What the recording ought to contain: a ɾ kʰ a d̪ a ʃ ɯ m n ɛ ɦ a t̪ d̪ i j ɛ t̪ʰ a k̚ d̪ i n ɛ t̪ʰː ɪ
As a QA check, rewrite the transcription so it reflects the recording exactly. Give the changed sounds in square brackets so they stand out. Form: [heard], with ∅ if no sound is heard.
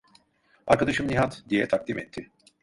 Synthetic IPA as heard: a ɾ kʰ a d̪ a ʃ ɯ m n [i] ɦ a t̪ d̪ i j ɛ t̪ʰ a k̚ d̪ i [m] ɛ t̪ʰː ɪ